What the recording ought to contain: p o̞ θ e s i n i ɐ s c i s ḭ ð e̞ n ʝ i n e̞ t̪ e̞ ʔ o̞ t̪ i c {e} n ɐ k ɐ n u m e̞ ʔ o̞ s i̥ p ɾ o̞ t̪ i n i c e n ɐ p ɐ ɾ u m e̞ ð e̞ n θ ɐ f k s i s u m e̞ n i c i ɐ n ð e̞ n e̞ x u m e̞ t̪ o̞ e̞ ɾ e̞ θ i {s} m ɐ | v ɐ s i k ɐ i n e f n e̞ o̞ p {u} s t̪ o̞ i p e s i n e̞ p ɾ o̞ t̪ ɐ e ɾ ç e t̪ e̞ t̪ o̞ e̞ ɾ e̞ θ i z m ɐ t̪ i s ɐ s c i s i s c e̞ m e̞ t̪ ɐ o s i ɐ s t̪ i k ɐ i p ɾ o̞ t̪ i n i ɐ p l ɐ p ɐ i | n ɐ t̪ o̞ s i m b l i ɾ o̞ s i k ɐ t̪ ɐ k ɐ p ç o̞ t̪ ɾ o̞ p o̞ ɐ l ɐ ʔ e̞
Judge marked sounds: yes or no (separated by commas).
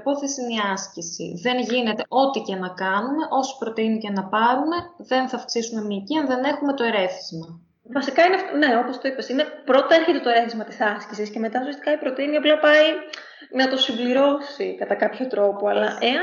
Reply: yes, no, no